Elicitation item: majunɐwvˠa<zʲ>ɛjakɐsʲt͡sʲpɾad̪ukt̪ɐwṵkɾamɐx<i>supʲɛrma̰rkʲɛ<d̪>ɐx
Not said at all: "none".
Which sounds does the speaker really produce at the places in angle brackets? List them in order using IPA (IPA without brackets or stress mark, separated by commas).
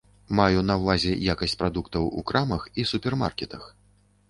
zʲ, i, t̪